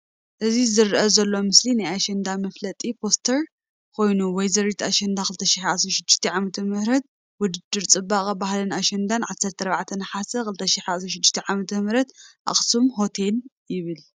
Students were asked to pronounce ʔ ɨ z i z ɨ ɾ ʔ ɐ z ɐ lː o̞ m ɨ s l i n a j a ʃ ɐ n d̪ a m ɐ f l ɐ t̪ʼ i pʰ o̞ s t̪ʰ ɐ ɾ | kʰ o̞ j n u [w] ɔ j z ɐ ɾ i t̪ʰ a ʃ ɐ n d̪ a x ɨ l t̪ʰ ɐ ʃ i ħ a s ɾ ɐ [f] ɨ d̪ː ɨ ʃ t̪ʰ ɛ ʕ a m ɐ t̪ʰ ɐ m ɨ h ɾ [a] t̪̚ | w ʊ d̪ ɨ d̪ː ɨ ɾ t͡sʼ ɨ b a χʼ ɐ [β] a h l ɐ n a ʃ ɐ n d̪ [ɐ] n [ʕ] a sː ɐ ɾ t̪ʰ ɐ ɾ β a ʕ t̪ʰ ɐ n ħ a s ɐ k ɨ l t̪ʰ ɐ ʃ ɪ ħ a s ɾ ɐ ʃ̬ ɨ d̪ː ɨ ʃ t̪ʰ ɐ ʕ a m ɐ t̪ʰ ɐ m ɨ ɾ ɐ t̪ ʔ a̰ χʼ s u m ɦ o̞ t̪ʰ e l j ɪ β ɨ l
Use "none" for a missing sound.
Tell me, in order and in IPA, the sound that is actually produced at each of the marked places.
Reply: w, ʃ, ɐ, b, a, ʕ

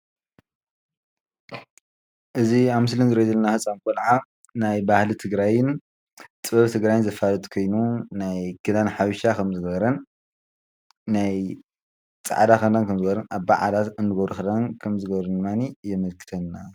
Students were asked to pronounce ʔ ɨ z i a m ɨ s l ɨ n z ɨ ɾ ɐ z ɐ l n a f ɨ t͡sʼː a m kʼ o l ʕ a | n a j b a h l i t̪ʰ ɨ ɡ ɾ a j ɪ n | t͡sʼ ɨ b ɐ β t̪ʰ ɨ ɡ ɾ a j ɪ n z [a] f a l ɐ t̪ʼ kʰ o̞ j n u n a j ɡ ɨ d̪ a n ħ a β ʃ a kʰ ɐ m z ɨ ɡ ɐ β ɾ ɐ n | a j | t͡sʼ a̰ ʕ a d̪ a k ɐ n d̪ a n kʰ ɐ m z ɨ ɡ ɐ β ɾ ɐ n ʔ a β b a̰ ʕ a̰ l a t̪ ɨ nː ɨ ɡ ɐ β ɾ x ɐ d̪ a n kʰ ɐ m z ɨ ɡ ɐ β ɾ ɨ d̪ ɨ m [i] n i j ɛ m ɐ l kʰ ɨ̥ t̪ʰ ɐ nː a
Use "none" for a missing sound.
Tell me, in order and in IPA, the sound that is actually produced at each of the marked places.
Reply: ɐ, a

